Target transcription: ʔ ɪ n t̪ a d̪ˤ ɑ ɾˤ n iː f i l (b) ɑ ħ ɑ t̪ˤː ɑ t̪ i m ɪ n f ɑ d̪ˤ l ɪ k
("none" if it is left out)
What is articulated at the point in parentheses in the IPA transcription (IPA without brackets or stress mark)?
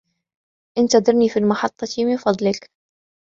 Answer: m